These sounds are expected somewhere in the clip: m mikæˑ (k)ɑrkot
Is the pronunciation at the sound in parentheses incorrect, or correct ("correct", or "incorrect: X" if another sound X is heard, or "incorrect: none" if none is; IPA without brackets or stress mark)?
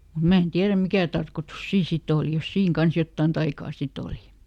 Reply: incorrect: t